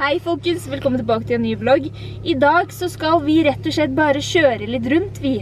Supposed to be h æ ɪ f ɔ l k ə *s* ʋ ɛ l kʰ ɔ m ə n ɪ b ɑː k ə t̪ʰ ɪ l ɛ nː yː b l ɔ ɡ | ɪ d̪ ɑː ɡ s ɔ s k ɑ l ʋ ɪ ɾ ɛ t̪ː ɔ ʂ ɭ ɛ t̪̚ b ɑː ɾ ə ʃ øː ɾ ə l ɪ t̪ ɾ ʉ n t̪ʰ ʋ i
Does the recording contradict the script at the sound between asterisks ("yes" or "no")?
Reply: no